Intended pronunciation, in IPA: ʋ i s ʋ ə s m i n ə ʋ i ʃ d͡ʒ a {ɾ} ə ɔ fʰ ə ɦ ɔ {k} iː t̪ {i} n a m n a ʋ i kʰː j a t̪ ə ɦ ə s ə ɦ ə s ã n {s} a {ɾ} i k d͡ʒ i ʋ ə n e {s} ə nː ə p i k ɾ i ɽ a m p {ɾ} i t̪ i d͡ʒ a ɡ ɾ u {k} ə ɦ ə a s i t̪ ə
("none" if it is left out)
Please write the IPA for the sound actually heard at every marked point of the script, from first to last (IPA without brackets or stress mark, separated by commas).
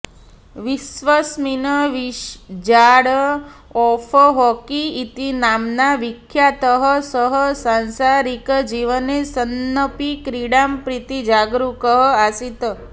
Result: ɽ, k, i, s, ɾ, s, ɾ, k